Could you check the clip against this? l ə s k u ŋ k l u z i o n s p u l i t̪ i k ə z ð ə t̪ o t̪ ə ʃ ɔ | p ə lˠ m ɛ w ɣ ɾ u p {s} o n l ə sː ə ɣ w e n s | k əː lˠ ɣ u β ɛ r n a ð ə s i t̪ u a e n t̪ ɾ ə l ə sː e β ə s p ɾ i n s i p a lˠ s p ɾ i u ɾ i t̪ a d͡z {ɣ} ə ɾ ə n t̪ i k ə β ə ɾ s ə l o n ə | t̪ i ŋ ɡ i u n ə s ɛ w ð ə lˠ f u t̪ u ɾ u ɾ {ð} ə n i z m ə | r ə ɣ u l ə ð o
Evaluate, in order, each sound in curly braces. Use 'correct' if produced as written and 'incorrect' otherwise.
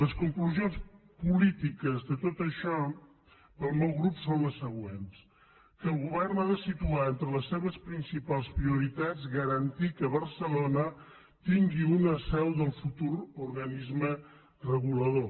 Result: correct, correct, incorrect

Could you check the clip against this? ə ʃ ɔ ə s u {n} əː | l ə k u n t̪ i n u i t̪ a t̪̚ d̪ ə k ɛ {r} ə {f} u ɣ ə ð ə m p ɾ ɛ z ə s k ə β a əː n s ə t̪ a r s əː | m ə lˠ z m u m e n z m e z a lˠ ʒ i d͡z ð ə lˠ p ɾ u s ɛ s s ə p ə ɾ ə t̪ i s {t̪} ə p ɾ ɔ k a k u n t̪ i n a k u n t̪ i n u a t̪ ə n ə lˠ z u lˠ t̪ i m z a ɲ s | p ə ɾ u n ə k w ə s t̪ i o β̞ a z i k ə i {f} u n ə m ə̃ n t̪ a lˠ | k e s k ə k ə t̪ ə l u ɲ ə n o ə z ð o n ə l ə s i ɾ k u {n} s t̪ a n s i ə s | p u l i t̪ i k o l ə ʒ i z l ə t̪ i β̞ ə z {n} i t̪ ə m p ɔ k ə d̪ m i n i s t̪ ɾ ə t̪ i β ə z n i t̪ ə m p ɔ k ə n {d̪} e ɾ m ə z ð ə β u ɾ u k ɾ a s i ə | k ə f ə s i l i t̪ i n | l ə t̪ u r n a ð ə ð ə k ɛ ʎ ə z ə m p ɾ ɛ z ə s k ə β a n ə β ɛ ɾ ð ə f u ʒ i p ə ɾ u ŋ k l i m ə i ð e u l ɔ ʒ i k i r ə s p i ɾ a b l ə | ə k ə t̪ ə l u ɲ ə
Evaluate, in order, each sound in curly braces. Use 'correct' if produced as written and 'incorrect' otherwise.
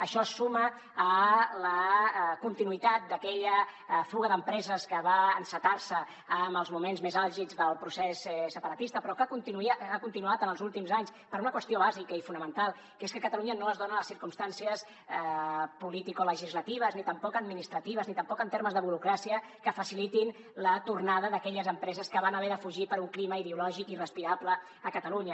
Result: incorrect, incorrect, correct, correct, correct, incorrect, correct, incorrect

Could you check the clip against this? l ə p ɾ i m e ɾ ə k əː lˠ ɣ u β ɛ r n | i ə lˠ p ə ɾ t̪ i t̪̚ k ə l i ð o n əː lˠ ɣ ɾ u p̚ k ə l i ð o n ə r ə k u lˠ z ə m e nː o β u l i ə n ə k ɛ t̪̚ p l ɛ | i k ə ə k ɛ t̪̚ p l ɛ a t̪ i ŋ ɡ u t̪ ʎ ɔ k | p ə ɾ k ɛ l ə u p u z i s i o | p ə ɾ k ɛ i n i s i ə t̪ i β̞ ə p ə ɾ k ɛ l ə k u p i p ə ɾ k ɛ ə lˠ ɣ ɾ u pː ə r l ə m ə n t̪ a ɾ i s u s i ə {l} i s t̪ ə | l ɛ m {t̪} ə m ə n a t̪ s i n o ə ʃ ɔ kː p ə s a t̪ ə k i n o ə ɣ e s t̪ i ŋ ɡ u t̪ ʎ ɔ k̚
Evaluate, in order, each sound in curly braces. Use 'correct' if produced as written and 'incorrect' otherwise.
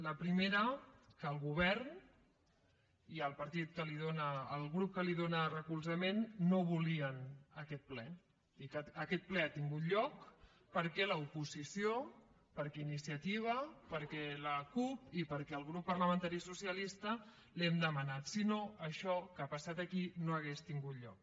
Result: correct, incorrect

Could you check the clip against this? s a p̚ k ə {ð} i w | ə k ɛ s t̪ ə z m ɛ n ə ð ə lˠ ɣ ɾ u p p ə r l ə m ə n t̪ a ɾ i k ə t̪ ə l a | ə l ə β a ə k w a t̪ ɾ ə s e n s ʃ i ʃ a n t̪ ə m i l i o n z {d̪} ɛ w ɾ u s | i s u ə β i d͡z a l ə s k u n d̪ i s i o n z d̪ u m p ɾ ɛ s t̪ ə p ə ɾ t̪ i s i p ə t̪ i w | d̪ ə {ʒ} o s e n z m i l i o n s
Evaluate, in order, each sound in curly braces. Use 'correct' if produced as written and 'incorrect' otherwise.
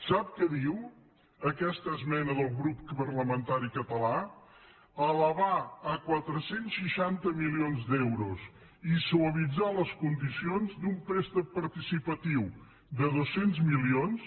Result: correct, correct, incorrect

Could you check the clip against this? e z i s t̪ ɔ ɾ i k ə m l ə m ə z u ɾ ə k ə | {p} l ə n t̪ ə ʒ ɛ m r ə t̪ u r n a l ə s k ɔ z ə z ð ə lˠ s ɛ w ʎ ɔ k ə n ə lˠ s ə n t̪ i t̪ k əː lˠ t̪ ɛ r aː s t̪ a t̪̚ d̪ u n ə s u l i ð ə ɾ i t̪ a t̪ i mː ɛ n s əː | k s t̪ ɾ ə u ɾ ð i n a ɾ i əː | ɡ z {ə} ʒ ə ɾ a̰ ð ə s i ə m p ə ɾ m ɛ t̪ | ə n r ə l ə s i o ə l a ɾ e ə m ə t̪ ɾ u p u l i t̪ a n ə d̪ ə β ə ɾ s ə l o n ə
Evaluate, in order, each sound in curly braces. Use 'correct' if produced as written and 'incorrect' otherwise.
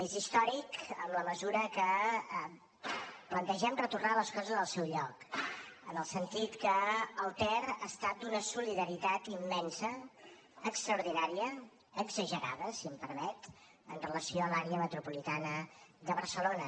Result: correct, correct

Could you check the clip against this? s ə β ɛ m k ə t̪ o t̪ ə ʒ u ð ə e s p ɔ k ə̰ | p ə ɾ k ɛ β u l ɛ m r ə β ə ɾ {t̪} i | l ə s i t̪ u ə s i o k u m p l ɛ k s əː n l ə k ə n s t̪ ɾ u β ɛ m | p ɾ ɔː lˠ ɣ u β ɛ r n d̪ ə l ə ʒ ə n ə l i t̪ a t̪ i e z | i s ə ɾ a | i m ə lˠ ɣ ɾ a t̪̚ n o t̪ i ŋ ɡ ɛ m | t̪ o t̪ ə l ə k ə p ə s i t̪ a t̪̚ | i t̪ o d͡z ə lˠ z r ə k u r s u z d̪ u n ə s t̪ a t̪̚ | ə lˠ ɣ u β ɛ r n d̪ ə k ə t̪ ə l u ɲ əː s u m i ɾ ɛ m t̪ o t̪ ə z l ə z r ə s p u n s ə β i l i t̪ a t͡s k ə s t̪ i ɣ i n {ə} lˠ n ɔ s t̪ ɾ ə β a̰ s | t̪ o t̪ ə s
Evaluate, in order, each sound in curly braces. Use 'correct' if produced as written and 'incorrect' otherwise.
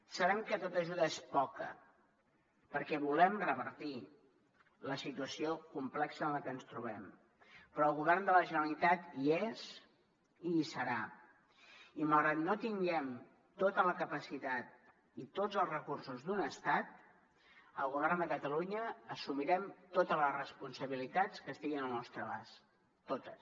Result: correct, correct

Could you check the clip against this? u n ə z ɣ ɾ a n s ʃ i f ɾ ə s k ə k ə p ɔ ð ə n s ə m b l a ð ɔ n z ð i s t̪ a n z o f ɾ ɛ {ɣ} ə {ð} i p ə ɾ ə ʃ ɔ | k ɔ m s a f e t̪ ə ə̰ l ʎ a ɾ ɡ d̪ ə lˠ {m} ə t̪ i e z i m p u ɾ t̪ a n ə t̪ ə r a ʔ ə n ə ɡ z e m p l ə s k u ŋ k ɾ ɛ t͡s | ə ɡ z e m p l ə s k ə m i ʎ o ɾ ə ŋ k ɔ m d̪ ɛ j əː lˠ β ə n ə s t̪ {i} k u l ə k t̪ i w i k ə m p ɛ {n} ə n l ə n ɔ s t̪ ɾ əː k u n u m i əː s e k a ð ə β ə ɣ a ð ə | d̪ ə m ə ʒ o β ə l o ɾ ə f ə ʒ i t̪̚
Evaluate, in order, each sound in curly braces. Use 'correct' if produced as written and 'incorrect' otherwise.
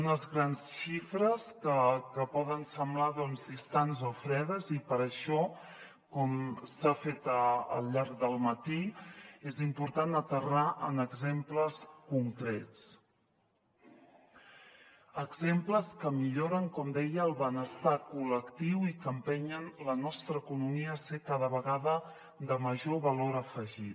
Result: incorrect, incorrect, correct, incorrect, incorrect

